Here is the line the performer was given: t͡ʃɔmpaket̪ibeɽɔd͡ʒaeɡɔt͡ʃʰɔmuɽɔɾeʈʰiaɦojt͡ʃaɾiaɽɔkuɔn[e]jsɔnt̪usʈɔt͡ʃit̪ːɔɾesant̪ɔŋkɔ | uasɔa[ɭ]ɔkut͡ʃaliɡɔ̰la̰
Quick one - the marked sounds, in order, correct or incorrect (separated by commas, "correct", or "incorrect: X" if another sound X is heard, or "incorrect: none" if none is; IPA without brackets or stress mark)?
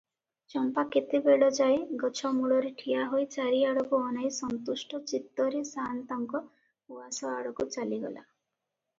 incorrect: a, incorrect: ɽ